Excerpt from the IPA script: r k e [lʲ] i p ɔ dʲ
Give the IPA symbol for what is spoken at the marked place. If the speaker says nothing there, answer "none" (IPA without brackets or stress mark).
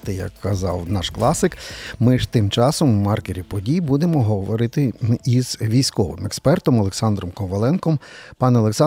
ɾʲ